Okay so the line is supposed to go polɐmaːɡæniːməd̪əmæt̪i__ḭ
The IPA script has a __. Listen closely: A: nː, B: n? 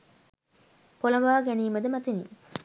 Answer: B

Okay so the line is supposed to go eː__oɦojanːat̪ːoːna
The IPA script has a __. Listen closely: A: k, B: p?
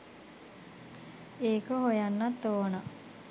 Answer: A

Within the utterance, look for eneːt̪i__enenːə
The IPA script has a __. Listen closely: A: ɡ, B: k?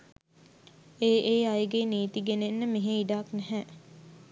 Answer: A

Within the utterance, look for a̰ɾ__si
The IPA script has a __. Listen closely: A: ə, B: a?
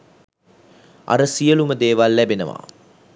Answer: A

